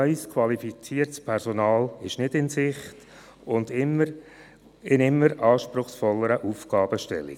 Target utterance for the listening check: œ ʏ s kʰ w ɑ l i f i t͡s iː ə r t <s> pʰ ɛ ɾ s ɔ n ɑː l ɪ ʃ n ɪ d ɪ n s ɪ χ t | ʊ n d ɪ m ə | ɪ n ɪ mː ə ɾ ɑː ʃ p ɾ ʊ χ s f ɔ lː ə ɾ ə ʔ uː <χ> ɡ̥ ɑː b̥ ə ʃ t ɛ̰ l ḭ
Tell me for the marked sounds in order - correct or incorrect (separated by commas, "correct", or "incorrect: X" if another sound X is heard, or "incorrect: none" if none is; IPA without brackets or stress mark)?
correct, incorrect: f